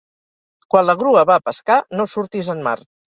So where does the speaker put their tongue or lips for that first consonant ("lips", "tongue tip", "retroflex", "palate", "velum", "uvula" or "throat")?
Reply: velum